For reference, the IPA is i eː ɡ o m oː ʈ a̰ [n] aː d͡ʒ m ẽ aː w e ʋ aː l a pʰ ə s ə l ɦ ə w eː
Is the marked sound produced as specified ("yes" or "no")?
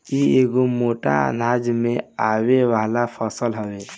yes